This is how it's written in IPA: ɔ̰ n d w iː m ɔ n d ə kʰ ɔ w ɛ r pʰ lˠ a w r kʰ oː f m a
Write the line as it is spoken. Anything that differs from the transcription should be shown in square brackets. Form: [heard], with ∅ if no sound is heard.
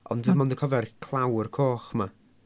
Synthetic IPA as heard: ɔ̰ n d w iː m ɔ n d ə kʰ ɔ [v] ɛ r [kʰ] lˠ a w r kʰ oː [χ] m a

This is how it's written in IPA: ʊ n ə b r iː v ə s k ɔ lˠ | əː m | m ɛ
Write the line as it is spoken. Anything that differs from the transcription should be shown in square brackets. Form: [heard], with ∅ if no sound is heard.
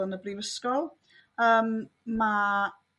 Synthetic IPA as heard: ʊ n ə b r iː v ə s k ɔ lˠ | əː m | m [a]

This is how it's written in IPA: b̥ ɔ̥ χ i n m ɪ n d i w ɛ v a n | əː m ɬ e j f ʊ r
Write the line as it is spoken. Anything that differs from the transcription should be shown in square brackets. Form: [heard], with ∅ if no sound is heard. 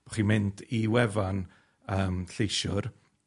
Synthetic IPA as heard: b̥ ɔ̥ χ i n m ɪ n d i w ɛ v a n | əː m ɬ e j [ʃ] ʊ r

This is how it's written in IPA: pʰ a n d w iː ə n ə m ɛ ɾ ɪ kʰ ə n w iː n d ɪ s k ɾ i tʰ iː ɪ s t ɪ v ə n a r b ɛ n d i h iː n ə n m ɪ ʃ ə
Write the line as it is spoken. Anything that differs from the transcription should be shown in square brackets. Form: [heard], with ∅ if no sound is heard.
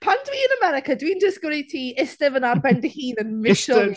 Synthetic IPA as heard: pʰ a n d w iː ə n ə m ɛ ɾ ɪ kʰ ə [d] w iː n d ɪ s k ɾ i tʰ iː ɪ s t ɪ v ə n a r b ɛ n d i h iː n ə n m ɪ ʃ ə

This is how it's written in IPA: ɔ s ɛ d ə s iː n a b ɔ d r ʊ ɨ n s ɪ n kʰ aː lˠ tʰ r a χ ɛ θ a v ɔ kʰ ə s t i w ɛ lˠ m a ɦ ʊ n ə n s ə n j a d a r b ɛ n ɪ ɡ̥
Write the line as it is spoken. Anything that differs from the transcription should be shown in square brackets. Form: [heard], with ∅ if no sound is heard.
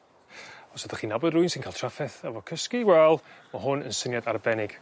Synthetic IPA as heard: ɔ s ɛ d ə [χ] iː n a b ɔ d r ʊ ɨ n s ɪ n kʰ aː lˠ tʰ r a [f] ɛ θ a v ɔ kʰ ə s [k] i w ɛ lˠ m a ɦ ʊ n ə n s ə n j a d a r b ɛ n ɪ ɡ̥

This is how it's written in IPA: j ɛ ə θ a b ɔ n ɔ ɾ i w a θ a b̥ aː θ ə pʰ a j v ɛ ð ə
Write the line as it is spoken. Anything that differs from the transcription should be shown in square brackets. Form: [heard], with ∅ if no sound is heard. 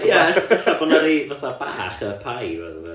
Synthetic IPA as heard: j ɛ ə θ a b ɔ n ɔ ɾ i [v] a θ a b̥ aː [χ] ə pʰ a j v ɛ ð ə

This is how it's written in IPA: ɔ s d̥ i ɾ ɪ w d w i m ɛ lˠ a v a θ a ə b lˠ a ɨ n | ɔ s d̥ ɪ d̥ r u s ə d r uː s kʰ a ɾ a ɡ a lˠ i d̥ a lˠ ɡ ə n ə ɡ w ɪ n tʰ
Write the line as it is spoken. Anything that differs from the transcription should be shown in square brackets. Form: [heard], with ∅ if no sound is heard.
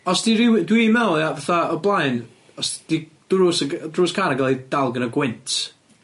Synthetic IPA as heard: ɔ s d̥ i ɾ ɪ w d w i m ɛ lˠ a v a θ a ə b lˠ a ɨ n | ɔ s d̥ [i] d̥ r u s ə d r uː s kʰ a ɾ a ɡ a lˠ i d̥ a lˠ ɡ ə n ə ɡ w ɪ n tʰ

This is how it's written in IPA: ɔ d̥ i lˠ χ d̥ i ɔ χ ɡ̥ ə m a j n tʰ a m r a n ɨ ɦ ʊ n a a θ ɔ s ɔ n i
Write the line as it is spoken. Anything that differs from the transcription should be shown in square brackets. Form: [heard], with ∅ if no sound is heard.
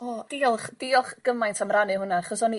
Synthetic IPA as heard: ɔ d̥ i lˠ χ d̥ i ɔ χ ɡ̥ ə m a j n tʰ a m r a n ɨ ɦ ʊ n a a [χ] ɔ s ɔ n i

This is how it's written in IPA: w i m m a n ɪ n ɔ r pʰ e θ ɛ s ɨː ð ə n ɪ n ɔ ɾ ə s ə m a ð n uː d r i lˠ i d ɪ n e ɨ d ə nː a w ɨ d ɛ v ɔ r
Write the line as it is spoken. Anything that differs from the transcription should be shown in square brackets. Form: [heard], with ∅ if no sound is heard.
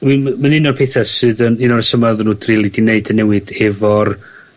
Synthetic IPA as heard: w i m m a n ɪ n ɔ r pʰ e θ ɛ s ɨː ð ə n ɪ n ɔ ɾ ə s ə m a ð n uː d r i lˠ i d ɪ n e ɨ d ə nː [ɛ] w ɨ d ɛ v ɔ r

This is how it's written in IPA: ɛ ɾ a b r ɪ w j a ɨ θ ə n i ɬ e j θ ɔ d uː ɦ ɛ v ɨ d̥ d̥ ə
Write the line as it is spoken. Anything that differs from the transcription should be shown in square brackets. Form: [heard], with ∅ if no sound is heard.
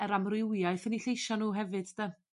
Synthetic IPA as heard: ɛ ɾ a [m] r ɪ w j a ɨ θ ə n i ɬ e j [ʃ] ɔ [n] uː ɦ ɛ v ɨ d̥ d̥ ə

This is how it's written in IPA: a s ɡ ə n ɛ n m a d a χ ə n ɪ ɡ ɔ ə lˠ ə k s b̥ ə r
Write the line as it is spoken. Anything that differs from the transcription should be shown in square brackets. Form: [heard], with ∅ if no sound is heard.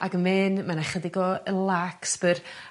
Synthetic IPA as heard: a [∅] ɡ ə [m] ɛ n m a [n] a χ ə [d] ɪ ɡ ɔ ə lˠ [a] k s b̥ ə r

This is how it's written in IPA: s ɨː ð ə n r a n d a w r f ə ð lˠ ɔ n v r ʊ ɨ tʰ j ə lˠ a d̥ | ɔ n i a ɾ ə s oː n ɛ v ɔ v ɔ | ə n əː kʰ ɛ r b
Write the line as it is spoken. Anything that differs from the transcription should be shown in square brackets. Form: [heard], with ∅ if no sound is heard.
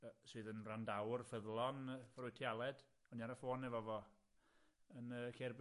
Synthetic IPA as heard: s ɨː ð ə n r a n d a w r f ə ð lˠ ɔ n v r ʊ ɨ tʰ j [a] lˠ [ɛ] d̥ | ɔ n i a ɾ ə [f] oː n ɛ v ɔ v ɔ | ə n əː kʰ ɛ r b

